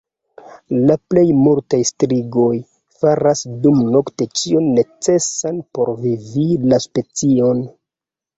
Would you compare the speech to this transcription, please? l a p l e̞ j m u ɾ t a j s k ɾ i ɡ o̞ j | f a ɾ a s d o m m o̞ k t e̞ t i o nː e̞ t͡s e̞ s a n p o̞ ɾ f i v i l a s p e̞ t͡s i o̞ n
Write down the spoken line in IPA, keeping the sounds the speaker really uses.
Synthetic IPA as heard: l a p l e̞ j m u ɾ t a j s t ɾ i ɡ o̞ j | f a ɾ a s d u m n o̞ k t e̞ t͡ʃ i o nː e̞ t͡s e̞ s a n p o̞ ɾ v i v i l a s p e̞ t͡s i o̞ n

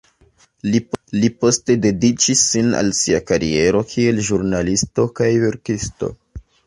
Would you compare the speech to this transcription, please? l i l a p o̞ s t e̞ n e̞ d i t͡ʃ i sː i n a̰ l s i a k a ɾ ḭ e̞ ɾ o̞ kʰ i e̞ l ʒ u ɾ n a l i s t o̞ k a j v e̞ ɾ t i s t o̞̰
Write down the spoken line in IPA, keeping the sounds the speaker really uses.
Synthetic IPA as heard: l i l i p o̞ s t e̞ d e̞ d i t͡ʃ i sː i n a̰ l s i a k a ɾ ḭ e̞ ɾ o̞ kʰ i e̞ l ʒ u ɾ n a l i s t o̞ k a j v e̞ ɾ k i s t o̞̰

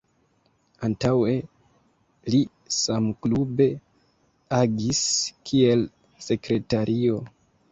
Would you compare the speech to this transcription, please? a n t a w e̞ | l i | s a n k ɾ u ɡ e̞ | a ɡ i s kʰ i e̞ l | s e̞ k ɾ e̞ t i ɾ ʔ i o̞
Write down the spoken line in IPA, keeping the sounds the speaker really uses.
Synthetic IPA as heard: a n t a w e̞ | l i | s a m k l u b e̞ | a ɡ i s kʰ i e̞ l | s e̞ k ɾ e̞ t a ɾ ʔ i o̞

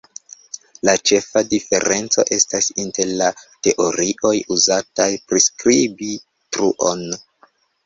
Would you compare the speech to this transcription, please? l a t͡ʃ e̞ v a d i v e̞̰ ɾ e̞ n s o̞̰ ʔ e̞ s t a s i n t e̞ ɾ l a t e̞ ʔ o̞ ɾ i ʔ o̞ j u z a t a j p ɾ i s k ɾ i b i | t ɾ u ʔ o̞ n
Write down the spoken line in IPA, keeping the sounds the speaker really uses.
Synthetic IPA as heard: l a t͡ʃ e̞ f a d i f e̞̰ ɾ e̞ n t͡s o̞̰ ʔ e̞ s t a s i n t e̞ ɾ l a t e̞ ʔ o̞ ɾ i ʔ o̞ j u z a t a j p ɾ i s k ɾ i b i | t ɾ u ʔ o̞ n

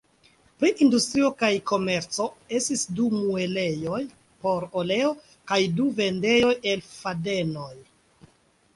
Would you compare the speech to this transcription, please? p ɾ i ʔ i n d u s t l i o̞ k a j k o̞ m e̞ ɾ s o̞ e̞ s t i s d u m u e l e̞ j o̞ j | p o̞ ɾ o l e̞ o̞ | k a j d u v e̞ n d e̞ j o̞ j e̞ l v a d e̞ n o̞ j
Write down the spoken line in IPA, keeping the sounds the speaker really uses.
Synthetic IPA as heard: p ɾ i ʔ i n d u s t ɾ i o̞ k a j k o̞ m e̞ ɾ t͡s o̞ e̞ s t i s d u m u e l e̞ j o̞ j | p o̞ ɾ o l e̞ o̞ | k a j d u v e̞ n d e̞ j o̞ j e̞ l f a d e̞ n o̞ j

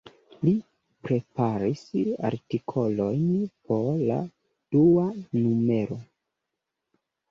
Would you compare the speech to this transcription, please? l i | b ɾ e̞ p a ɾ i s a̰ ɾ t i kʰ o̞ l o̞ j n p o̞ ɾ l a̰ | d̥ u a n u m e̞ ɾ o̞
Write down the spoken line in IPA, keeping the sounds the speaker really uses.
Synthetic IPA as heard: l i | p ɾ e̞ p a ɾ i s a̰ ɾ t i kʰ o̞ l o̞ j n p o̞ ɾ l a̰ | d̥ u a n u m e̞ ɾ o̞

